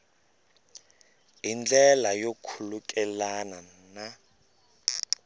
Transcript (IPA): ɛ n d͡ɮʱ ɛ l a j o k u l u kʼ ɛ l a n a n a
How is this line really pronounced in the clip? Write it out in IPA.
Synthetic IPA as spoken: i n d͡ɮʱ ɛ l a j o kʰ u l u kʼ ɛ l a n a n a